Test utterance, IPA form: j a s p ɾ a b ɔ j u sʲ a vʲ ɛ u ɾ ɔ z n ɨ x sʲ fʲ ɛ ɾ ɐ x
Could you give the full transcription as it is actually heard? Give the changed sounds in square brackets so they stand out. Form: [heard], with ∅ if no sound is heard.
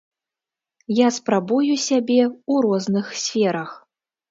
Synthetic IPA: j a s p ɾ a b [u] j u sʲ a [bʲ] ɛ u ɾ ɔ z n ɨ x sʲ fʲ ɛ ɾ ɐ x

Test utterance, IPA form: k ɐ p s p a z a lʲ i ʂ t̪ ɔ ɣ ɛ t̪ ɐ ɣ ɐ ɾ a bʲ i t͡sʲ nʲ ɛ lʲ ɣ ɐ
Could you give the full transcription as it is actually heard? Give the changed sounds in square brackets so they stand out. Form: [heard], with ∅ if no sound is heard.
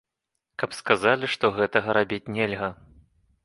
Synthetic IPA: k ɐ p s [k] a z a lʲ i ʂ t̪ ɔ ɣ ɛ t̪ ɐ ɣ ɐ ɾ a bʲ i t͡sʲ nʲ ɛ lʲ ɣ ɐ

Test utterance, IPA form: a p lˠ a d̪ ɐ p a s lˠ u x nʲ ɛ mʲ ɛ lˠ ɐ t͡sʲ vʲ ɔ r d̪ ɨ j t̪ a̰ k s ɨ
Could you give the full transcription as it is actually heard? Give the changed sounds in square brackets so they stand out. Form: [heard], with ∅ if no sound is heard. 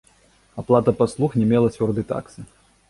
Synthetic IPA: a p lˠ a [t̪] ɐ p a s lˠ u x nʲ ɛ mʲ ɛ lˠ ɐ t͡sʲ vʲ ɔ r d̪ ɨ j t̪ a̰ k s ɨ

